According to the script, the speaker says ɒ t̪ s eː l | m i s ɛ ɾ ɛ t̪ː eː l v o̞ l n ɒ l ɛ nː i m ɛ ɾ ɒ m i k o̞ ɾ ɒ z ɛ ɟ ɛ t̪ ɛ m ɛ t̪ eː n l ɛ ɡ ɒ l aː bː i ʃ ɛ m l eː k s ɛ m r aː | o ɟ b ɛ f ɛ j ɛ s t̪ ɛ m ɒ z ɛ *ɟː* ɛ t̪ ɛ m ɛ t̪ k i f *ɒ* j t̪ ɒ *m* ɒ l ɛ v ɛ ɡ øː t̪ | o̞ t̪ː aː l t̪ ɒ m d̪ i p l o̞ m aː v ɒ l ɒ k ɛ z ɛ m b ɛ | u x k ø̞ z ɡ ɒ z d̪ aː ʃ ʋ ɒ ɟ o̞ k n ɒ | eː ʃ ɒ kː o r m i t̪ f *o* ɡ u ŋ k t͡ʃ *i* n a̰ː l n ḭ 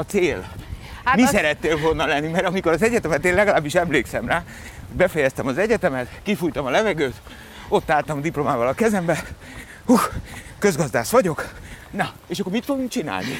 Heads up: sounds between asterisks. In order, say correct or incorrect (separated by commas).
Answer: incorrect, incorrect, correct, correct, correct